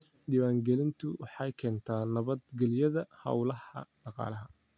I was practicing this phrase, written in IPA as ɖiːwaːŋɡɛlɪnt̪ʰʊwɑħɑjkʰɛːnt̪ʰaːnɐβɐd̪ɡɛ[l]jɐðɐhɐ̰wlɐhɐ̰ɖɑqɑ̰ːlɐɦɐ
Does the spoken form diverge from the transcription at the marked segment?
no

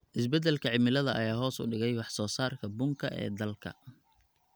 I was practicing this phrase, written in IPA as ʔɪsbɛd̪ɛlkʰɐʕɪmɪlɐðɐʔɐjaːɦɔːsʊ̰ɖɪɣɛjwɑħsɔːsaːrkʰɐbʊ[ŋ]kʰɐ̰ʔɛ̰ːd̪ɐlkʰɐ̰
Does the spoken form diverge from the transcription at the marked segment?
no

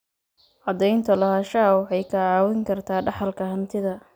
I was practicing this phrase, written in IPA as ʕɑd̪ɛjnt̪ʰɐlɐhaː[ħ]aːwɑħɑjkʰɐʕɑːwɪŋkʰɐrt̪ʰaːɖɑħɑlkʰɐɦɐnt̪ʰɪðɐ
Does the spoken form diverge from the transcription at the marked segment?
yes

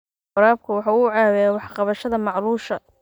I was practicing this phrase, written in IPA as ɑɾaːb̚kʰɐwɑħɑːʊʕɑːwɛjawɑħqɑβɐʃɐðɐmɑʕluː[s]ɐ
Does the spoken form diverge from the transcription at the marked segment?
yes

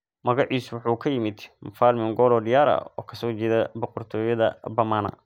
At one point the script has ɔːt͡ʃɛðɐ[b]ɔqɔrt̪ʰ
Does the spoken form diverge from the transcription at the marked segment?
no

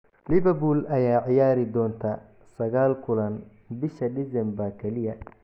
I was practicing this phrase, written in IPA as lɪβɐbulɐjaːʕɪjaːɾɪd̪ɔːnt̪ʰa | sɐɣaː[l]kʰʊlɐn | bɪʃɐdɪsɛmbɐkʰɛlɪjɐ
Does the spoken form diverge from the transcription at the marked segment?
no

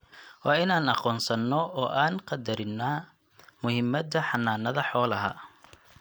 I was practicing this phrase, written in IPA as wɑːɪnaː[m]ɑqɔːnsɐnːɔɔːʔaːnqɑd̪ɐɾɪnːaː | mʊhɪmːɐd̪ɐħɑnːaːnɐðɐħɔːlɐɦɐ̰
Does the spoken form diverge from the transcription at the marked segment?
yes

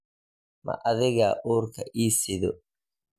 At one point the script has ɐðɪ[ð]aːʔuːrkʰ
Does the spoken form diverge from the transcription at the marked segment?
yes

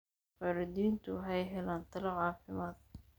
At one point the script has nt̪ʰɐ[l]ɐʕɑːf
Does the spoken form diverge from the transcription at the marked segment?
no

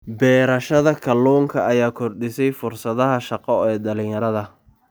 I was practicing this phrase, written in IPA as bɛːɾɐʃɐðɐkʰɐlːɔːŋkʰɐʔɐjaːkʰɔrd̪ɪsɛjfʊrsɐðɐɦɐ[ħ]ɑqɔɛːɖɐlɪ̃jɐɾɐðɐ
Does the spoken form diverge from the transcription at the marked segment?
yes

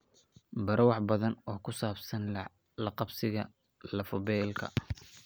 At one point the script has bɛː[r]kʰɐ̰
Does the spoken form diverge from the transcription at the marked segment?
yes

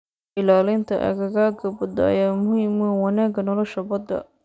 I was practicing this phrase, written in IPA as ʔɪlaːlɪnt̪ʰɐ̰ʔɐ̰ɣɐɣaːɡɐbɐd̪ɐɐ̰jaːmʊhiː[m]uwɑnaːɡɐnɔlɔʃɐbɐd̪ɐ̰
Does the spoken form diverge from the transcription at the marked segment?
no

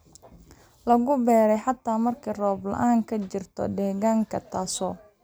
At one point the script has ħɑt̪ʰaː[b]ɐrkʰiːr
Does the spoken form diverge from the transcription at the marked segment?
yes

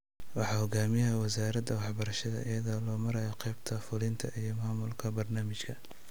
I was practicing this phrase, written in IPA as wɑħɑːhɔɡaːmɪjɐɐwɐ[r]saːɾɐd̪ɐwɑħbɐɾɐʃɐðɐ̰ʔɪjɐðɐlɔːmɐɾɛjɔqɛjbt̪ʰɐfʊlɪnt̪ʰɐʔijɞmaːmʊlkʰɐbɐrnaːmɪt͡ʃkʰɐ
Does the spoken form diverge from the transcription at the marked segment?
yes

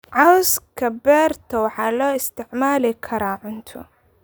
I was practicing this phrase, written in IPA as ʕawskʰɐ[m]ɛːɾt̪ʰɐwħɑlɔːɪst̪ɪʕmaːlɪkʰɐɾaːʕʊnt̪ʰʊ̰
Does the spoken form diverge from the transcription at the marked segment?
yes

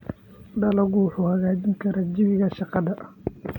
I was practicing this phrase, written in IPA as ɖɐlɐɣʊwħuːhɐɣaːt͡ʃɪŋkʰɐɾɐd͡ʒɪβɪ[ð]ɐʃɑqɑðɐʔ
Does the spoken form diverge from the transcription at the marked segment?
yes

